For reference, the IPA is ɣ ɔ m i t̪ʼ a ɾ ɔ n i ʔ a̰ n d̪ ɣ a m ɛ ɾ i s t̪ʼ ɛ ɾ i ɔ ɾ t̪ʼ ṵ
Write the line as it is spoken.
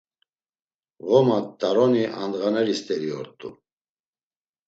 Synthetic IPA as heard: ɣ ɔ m a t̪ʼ a ɾ ɔ n i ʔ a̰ n d̪ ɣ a n ɛ ɾ i s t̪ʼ ɛ ɾ i ɔ ɾ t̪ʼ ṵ